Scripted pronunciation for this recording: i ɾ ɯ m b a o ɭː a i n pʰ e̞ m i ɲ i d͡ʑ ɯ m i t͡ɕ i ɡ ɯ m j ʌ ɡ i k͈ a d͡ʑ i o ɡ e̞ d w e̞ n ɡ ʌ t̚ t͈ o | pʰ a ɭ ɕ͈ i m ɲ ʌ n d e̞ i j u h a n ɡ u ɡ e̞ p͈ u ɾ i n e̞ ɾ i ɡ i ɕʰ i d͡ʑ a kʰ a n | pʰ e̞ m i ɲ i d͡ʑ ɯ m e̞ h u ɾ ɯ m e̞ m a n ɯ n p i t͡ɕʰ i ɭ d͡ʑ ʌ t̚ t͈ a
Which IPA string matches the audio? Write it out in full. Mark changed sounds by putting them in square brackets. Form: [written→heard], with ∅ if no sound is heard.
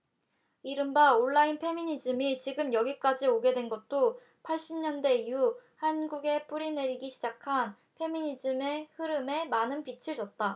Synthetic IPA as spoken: i ɾ ɯ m b a o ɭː a i n pʰ e̞ m i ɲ i d͡ʑ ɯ m i t͡ɕ i ɡ ɯ m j ʌ ɡ i k͈ a d͡ʑ i o ɡ e̞ d w e̞ n ɡ ʌ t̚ t͈ o | pʰ a ɭ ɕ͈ i m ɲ ʌ n d e̞ i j u h a n ɡ u ɡ e̞ p͈ u ɾ i n e̞ ɾ i ɡ i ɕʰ i d͡ʑ a kʰ a n | pʰ e̞ m i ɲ i d͡ʑ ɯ m e̞ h [u→ɯ] ɾ ɯ m e̞ m a n ɯ n p i t͡ɕʰ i ɭ d͡ʑ ʌ t̚ t͈ a